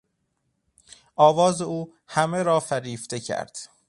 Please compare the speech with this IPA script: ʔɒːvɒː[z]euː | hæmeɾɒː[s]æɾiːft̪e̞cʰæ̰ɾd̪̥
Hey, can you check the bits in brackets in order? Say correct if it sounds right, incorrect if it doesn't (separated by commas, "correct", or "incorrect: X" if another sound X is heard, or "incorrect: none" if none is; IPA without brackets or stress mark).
correct, incorrect: f